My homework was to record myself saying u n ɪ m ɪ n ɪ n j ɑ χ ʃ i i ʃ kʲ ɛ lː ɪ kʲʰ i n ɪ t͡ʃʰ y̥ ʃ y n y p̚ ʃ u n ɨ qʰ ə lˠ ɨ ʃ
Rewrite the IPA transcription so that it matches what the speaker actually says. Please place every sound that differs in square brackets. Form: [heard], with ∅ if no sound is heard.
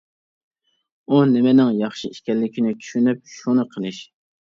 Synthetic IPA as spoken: u n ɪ m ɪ n ɪ [ŋ] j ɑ χ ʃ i i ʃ kʲ ɛ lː ɪ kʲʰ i n ɪ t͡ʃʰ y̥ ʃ y n y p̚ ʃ u n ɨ qʰ ə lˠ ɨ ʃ